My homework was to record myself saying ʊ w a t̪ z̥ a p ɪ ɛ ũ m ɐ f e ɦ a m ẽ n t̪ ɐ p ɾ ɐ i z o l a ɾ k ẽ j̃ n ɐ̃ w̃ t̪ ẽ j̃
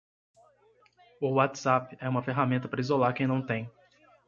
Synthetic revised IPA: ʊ w a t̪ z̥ a p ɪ ɛ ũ m ɐ f e ɦ a m ẽ n t̪ ɐ p ɾ ɐ i z o l a ɾ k ẽ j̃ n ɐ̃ w̃ t̪ ẽ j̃